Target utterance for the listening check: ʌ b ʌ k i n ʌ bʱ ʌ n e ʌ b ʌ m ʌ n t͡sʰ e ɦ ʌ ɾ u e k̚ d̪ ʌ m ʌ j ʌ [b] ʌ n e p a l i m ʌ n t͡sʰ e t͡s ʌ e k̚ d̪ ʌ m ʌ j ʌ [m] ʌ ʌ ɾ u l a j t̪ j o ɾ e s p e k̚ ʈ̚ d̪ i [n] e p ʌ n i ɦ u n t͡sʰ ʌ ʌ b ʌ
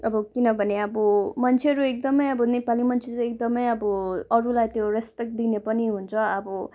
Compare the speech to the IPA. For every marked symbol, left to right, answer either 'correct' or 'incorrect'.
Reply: correct, incorrect: b, correct

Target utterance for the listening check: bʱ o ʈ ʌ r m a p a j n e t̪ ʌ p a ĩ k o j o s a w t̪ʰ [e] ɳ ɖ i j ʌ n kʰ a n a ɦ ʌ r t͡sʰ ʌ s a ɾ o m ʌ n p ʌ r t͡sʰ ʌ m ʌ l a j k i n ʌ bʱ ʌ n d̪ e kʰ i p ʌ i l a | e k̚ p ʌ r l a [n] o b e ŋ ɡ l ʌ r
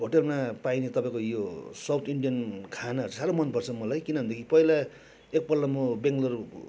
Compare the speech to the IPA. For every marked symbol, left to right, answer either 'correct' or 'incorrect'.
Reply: incorrect: i, incorrect: m

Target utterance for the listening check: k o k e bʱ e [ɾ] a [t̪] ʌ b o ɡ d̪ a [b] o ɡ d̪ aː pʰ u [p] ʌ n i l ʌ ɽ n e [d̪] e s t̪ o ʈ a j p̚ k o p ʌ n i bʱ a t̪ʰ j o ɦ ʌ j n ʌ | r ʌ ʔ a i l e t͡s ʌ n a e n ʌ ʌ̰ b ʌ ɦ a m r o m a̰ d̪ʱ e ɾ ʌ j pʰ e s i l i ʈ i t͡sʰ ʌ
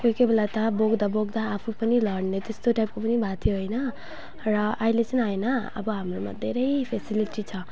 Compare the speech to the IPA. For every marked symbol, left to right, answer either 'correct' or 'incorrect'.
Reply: incorrect: l, correct, correct, correct, incorrect: t̪

